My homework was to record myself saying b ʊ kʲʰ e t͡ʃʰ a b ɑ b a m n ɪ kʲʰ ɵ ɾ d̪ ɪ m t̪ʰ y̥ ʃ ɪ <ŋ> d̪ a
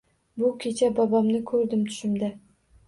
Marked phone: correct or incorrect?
incorrect